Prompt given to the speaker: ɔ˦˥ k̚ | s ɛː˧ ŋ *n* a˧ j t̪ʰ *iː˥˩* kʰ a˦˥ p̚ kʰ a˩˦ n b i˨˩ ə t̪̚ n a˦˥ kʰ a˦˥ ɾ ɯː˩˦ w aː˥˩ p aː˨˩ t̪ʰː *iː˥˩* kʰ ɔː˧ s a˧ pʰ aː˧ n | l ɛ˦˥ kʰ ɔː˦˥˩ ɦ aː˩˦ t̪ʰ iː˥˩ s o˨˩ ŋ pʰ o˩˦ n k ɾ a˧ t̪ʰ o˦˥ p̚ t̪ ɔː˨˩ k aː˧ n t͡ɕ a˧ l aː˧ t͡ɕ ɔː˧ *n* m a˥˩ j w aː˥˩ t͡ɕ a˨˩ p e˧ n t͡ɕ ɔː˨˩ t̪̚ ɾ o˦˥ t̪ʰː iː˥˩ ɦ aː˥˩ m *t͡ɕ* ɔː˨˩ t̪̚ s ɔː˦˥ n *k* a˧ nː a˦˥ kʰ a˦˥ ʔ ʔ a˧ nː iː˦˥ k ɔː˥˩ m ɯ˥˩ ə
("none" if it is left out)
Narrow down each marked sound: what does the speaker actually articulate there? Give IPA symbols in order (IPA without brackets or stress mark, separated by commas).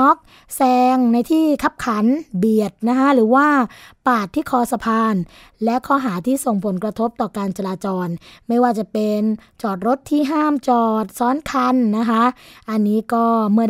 n, iː˥˩, iː˥˩, n, t͡ɕ, kʰ